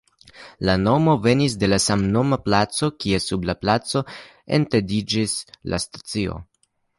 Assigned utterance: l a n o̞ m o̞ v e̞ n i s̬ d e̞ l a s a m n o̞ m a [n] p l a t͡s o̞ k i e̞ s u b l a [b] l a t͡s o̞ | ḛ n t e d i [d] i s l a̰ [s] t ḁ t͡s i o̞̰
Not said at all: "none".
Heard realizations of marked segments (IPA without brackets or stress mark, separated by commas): none, p, d͡ʒ, s